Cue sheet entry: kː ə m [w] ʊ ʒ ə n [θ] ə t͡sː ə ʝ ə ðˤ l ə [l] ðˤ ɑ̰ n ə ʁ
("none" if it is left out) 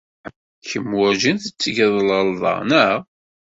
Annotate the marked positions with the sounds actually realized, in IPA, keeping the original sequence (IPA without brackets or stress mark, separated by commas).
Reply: w, θ, l